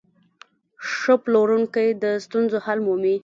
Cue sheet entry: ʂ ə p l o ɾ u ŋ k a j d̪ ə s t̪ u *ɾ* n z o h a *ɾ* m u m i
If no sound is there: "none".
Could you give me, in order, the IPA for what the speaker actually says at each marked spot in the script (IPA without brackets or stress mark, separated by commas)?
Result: none, l